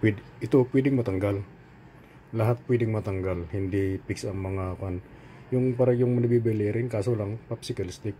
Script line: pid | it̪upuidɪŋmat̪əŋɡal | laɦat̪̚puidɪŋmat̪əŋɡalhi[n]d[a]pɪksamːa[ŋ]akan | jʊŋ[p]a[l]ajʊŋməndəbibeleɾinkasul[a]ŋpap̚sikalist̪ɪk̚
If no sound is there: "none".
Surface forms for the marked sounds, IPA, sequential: n, i, ŋ, p, ɾ, a

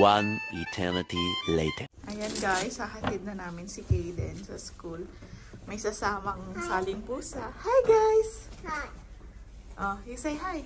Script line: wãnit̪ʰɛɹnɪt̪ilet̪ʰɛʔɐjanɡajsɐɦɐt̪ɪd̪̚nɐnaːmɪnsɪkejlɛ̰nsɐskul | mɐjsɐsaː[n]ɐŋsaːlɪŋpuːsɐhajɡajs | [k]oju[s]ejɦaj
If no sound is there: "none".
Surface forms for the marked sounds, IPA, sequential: m, ʔ, s

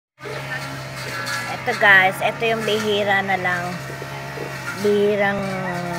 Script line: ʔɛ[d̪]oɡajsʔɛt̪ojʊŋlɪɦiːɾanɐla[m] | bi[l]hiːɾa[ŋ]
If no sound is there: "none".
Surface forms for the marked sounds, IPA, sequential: t̪, ŋ, none, ŋ

